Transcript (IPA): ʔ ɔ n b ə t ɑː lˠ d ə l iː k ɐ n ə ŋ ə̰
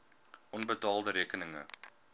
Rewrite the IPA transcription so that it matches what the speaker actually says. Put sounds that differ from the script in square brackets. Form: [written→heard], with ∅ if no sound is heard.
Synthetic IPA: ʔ ɔ n b ə t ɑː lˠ d ə [l→ɾ] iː k [ɐ→ə] n ə ŋ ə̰